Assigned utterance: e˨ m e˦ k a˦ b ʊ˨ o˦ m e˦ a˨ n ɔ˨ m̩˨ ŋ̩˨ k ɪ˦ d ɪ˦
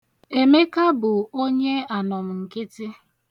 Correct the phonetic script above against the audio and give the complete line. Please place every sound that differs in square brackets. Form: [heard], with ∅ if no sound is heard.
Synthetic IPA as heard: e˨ m e˦ k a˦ b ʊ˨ o˦ [ɲ] e˦ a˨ n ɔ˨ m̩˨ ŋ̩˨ k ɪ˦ [t] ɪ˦